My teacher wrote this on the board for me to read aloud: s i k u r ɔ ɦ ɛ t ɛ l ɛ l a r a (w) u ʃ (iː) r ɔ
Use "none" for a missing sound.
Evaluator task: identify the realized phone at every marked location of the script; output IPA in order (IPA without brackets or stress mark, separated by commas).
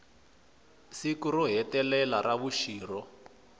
β, iː